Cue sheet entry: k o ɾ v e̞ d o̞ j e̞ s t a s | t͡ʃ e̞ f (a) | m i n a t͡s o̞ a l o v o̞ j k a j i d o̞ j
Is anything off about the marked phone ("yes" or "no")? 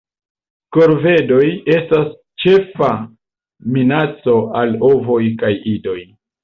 no